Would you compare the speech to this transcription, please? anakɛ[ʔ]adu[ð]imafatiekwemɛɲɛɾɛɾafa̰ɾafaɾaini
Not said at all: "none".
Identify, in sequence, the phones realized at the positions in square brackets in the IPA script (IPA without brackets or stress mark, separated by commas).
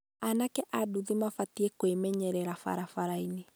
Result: ʔ, ð